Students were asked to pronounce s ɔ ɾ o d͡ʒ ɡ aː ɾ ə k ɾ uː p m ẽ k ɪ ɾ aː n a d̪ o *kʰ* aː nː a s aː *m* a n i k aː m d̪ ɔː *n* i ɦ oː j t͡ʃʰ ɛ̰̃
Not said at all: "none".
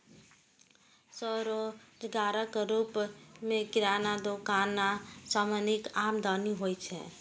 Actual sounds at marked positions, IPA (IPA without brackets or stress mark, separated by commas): k, m, n